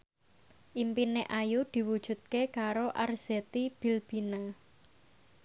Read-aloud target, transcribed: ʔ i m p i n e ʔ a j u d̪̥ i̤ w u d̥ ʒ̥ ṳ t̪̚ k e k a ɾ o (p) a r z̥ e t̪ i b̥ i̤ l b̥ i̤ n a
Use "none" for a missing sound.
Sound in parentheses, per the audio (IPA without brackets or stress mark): ʔ